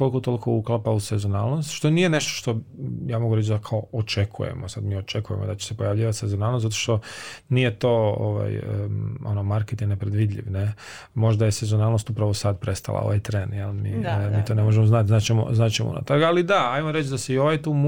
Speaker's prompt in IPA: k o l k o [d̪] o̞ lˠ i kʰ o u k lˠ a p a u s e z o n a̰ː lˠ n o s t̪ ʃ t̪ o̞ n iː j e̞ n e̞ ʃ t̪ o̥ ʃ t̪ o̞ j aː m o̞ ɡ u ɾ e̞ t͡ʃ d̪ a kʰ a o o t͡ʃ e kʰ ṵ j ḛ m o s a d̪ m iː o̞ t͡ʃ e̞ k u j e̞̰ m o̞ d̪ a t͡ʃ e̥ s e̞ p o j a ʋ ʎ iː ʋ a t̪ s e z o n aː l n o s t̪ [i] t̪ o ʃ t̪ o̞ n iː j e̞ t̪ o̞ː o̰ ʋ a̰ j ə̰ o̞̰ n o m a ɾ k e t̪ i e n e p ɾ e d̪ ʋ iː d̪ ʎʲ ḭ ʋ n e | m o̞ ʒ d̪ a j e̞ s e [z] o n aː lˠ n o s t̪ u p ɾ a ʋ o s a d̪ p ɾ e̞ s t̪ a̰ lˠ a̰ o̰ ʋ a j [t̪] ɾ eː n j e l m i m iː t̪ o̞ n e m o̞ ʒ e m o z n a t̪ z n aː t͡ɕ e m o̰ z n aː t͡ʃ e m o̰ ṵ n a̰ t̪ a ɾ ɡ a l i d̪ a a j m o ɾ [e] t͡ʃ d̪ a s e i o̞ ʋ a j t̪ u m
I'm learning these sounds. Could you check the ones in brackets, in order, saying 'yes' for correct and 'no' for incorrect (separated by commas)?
no, no, yes, yes, yes